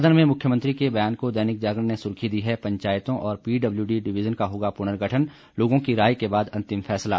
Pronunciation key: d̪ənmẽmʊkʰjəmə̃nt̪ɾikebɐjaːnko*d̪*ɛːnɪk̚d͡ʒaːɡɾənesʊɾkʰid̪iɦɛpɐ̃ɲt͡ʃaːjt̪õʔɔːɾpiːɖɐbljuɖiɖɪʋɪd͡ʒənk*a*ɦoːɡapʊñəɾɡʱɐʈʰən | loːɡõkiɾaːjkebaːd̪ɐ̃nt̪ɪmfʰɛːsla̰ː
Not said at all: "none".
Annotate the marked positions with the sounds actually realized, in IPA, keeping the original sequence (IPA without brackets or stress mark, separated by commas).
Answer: d̪, a